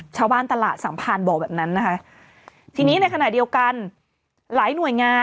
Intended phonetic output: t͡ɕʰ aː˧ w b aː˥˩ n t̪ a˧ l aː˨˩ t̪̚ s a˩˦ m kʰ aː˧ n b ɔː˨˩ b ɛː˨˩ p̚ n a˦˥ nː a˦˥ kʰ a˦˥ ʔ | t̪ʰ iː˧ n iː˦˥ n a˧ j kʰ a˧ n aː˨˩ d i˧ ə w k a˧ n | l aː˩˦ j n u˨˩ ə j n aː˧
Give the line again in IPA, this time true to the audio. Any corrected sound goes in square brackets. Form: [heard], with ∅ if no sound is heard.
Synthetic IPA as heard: t͡ɕʰ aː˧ w b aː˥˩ n t̪ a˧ l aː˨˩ t̪̚ s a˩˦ m [pʰ] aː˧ n b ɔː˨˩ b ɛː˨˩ p̚ n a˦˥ nː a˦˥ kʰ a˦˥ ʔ | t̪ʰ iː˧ n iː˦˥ n a˧ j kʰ a˧ n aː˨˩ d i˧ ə w k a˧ n | l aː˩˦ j n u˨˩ ə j [ŋ] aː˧